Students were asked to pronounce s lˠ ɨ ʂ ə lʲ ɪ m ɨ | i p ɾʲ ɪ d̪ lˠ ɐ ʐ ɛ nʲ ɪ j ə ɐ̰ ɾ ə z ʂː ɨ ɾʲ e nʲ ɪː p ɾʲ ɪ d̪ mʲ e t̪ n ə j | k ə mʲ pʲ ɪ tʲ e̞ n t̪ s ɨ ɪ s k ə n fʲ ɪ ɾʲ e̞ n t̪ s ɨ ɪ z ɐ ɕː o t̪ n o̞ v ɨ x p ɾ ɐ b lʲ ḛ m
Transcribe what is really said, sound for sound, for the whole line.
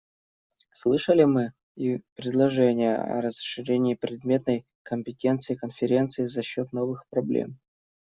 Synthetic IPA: s lˠ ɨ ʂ ə lʲ ɪ m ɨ | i p ɾʲ ɪ d̪ lˠ ɐ ʐ ɛ nʲ ɪ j ə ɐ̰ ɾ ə z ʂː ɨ ɾʲ e nʲ ɪː p ɾʲ ɪ d̪ mʲ e t̪ n ə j | k ə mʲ pʲ ɪ tʲ e̞ n t̪ s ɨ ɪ k ə n fʲ ɪ ɾʲ e̞ n t̪ s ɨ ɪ z ɐ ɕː o t̪ n o̞ v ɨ x p ɾ ɐ b lʲ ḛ m